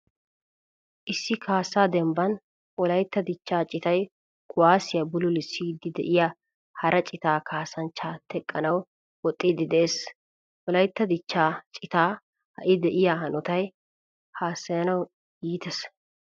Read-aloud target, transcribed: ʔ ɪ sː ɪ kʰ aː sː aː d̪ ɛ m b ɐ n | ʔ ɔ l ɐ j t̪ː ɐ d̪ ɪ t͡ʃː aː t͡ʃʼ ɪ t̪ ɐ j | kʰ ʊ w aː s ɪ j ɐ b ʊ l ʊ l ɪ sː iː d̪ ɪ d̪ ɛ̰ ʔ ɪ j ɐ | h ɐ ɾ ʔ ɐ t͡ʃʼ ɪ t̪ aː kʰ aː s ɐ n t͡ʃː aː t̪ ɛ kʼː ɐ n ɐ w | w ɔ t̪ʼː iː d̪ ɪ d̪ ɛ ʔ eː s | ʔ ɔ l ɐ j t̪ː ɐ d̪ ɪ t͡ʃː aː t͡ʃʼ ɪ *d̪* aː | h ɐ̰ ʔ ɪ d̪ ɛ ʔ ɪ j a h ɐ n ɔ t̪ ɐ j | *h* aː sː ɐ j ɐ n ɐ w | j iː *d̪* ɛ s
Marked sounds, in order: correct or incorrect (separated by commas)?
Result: incorrect, correct, incorrect